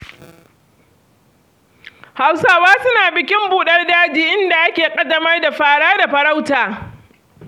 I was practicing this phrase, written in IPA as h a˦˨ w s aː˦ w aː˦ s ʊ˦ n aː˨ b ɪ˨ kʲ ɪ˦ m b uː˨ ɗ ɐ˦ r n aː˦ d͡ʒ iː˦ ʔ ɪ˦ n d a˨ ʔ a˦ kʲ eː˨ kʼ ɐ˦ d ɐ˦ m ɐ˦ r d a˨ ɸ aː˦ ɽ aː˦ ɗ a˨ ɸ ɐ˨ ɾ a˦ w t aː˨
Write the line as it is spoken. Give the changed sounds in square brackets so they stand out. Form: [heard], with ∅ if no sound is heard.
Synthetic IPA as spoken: h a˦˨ w s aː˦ w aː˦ s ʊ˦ n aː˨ b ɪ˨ kʲ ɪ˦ m b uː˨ ɗ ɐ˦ r [d] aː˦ d͡ʒ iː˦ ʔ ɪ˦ n d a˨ ʔ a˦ kʲ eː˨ kʼ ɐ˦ d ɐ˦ m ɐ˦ r d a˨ ɸ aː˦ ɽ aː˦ [d] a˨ ɸ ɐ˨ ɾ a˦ w t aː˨